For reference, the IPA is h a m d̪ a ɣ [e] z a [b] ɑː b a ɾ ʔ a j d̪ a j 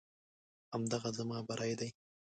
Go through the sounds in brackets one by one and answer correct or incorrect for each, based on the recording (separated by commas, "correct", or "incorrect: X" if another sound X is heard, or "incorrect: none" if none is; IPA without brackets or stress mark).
incorrect: a, incorrect: m